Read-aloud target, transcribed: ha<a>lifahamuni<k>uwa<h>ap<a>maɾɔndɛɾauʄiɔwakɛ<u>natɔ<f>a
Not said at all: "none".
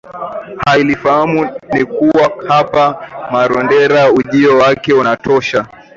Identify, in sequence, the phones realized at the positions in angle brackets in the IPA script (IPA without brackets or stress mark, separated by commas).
i, k, h, a, u, ʃ